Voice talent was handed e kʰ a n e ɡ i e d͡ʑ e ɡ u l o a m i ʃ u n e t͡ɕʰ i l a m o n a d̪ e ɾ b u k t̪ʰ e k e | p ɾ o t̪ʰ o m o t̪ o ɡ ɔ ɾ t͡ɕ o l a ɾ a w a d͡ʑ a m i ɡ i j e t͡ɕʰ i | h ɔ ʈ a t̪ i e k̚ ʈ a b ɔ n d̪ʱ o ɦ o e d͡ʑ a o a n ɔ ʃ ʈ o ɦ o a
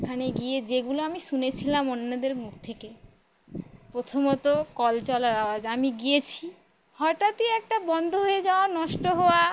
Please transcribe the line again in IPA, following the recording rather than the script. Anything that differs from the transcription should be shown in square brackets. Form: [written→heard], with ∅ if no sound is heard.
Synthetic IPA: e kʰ a n e ɡ i e d͡ʑ e ɡ u l o a m i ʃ u n e t͡ɕʰ i l a m o [n→nː] a d̪ e ɾ [b→m] u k t̪ʰ e k e | p ɾ o t̪ʰ o m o t̪ o [ɡ→k] ɔ [ɾ→l] t͡ɕ [o→ɔ] l a ɾ a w a d͡ʑ a m i ɡ i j e t͡ɕʰ i | h ɔ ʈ a t̪ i [e→ɛ] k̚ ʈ a b ɔ n d̪ʱ o ɦ o e d͡ʑ a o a n ɔ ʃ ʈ o ɦ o a